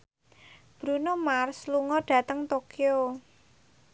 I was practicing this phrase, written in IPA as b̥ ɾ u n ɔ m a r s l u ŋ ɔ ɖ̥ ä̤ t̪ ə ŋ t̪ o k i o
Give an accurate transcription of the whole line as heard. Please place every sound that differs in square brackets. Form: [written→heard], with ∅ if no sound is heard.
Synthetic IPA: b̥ ɾ u n [ɔ→o] m a r s l u ŋ ɔ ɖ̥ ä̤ t̪ ə ŋ t̪ o k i o

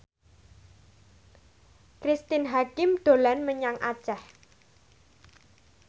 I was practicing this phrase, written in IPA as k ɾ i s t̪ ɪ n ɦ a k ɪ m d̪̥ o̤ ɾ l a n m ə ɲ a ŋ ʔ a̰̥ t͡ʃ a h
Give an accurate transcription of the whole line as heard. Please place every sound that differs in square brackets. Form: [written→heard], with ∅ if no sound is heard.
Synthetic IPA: k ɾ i s t̪ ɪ n ɦ a k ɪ m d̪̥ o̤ [ɾ→∅] l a n m ə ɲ a ŋ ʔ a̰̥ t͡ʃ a h

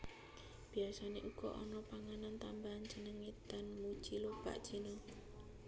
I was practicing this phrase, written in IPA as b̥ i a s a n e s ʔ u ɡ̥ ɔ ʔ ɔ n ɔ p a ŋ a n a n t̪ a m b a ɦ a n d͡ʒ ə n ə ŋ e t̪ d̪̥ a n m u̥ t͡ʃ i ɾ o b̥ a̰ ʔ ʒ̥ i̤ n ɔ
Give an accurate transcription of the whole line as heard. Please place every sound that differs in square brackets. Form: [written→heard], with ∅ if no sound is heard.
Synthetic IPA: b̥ i a s a n e [s→∅] ʔ u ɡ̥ ɔ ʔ ɔ n ɔ p a ŋ a n a n t̪ a m b a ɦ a n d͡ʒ ə n ə ŋ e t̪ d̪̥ a n m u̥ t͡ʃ i [ɾ→l] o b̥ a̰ ʔ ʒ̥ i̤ n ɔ

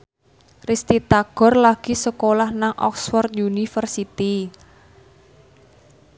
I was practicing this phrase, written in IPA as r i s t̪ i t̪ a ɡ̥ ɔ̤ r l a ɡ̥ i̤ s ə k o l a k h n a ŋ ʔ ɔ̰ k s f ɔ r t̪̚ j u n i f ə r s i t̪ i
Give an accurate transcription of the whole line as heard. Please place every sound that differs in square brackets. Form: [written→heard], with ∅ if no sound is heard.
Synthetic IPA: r i s t̪ i t̪ a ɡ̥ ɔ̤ r l a ɡ̥ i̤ s ə k o l a [k→∅] h n a ŋ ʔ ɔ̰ k s f ɔ r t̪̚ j u n i f ə r s i t̪ i

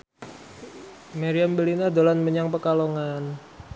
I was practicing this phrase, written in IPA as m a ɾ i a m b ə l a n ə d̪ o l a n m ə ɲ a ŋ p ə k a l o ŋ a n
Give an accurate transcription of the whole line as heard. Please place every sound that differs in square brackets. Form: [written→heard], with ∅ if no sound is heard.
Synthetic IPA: m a ɾ i a m b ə l [a→i] n [ə→a] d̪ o l a n m ə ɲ a ŋ p ə k a l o ŋ a n

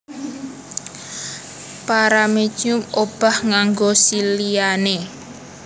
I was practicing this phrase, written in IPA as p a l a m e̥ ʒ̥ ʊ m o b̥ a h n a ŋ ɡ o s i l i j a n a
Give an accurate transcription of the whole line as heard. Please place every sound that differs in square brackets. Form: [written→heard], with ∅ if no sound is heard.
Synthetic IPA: p a [l→ɾ] a m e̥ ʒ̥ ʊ m o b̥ a h [n→ŋ] a ŋ ɡ o s i l i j a n [a→e]

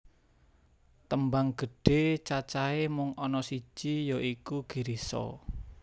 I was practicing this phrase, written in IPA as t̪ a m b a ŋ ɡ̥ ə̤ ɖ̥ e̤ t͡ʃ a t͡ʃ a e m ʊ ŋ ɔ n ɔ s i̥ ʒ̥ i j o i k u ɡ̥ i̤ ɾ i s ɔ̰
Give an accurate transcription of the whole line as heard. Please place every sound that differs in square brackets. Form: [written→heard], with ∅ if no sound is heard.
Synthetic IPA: t̪ [a→ə] m b a ŋ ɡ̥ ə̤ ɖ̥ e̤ t͡ʃ a t͡ʃ a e m ʊ ŋ ɔ n ɔ s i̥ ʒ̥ i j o i k u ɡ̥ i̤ ɾ i s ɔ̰

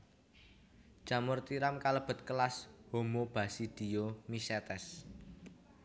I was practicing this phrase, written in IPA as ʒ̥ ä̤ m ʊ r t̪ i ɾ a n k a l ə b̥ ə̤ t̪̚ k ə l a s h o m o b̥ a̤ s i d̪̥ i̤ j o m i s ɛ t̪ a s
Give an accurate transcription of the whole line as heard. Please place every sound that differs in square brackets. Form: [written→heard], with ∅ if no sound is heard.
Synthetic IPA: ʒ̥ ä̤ m ʊ r t̪ i ɾ a [n→m] k a l ə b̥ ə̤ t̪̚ k ə l a s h o m o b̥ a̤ s i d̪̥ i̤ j o m i s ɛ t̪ [a→ɛ] s

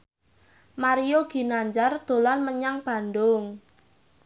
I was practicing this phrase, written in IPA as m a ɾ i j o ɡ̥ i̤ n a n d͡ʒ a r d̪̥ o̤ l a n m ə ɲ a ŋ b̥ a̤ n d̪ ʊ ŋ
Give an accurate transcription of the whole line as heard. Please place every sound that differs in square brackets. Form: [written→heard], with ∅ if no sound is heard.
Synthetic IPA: m a ɾ i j o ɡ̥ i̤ n a [n→ɲ] d͡ʒ a r d̪̥ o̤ l a n m ə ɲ a ŋ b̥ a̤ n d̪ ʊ ŋ

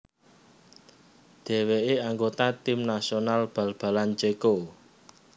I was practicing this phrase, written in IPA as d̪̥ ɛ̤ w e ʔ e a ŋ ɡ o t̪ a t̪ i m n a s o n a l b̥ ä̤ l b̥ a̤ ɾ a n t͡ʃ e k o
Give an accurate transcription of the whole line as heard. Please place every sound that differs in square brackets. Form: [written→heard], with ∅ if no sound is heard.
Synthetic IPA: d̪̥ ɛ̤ w e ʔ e a ŋ ɡ o t̪ a t̪ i m n a s o n a l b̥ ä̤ l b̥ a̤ [ɾ→l] a n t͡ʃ e k o

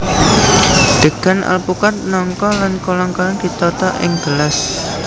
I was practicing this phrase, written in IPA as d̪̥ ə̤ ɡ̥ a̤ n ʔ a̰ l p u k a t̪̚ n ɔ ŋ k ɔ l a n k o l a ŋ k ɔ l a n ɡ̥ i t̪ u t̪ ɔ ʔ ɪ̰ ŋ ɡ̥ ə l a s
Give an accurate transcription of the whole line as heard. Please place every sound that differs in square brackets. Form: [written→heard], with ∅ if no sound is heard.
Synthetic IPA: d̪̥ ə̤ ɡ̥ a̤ n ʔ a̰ l p u k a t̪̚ n ɔ ŋ k ɔ l a n k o l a ŋ k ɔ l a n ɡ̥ i t̪ [u→ɔ] t̪ ɔ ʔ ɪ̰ ŋ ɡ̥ ə l a s

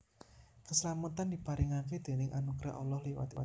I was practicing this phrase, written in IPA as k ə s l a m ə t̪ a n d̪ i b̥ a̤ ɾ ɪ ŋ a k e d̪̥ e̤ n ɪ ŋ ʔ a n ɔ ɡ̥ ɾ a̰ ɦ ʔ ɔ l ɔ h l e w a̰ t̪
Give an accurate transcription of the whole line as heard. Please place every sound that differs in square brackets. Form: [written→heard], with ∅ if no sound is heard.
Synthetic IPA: k ə s l a m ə t̪ a n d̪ i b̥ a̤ ɾ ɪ ŋ a k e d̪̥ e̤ n ɪ ŋ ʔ a n [ɔ→u] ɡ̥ ɾ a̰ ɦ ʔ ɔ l ɔ h l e w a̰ t̪

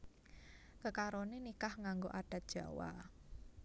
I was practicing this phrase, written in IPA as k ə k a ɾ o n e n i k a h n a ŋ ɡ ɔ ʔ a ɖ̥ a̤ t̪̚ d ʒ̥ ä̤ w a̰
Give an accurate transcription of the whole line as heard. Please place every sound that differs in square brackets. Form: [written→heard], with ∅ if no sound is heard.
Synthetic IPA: k ə k a ɾ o n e n i k a h [n→ŋ] a ŋ ɡ [ɔ→o] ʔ a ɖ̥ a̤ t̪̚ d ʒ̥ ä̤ w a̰

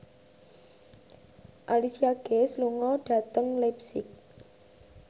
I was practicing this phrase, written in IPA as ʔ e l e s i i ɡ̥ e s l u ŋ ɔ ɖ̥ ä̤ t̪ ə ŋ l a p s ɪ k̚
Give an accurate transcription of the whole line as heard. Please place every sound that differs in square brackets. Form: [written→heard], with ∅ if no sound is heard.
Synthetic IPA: ʔ [e→a] l [e→i] s i [i→a] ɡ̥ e s l u ŋ ɔ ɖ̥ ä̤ t̪ ə ŋ l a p s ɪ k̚

